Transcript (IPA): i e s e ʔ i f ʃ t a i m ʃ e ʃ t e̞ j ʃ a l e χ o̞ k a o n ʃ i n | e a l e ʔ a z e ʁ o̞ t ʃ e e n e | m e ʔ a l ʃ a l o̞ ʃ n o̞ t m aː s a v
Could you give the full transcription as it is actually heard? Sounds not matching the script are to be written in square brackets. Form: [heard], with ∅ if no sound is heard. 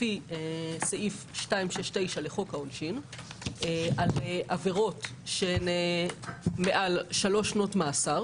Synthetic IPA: i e s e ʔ i f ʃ t a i m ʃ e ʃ t e̞ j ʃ a l e χ o̞ k a o n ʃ i n | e a l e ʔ a [v] e ʁ o̞ t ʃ e e n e | m e ʔ a l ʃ a l o̞ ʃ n o̞ t m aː s a [ʁ]